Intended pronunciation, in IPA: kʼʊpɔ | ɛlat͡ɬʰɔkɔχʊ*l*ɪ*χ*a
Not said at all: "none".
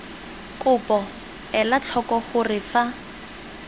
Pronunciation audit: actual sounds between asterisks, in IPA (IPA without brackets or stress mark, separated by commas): r, f